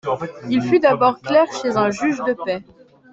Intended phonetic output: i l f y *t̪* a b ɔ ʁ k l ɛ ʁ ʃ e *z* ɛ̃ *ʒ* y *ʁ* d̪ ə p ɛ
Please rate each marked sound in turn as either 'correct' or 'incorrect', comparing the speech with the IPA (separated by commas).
incorrect, correct, correct, incorrect